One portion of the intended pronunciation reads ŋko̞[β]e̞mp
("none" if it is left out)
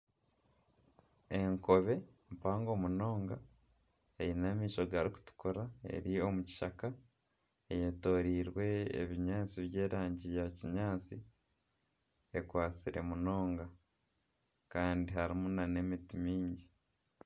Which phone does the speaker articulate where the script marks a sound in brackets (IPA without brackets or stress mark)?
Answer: β